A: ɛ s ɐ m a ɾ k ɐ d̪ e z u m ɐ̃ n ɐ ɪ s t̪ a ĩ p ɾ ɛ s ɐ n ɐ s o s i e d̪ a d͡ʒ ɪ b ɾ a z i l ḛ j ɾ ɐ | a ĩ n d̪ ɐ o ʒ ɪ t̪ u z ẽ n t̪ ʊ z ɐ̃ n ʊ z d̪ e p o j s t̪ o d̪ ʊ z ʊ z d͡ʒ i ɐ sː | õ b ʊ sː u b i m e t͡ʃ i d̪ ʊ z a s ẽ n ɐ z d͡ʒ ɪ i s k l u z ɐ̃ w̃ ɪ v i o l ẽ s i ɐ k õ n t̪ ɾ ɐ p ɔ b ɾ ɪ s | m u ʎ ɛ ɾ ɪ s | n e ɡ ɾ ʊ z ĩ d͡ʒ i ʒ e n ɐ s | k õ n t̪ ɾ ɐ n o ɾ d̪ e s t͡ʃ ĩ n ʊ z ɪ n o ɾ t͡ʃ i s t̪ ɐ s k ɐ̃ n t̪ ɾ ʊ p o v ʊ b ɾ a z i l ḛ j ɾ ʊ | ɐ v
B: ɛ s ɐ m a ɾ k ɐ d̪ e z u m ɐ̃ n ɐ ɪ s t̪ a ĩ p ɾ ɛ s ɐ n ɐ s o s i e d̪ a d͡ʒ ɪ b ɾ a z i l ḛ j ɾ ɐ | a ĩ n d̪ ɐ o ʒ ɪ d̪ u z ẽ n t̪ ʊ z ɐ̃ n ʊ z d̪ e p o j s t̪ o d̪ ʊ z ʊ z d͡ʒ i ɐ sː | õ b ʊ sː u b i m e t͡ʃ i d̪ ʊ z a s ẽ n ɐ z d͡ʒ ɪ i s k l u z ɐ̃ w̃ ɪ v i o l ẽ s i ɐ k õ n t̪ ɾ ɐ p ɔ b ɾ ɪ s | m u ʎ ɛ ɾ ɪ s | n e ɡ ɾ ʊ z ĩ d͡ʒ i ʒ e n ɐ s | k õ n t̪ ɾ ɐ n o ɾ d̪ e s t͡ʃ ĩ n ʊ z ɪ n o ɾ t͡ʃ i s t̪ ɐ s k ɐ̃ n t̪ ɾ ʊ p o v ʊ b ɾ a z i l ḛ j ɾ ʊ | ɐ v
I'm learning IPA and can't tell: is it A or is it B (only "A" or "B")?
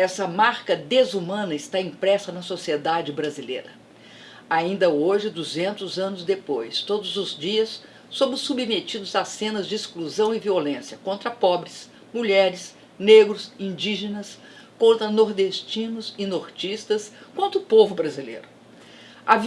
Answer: B